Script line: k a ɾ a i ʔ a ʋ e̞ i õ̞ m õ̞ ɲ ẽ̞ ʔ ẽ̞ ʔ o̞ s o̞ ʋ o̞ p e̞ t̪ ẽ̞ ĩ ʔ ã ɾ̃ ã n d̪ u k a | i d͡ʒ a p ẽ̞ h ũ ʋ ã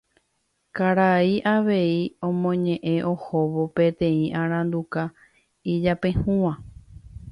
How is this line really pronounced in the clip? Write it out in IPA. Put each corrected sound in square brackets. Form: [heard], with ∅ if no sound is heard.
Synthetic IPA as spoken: k a ɾ a i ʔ a ʋ e̞ i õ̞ m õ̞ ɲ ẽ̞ ʔ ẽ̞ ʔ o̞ [h] o̞ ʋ o̞ p e̞ t̪ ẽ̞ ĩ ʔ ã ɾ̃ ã n d̪ u k a | i d͡ʒ a p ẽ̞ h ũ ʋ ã